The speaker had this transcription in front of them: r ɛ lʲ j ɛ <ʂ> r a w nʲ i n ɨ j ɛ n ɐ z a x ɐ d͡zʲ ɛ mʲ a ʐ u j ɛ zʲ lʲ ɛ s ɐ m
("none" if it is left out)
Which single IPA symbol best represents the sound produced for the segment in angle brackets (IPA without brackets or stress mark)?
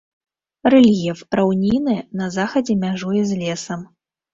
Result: f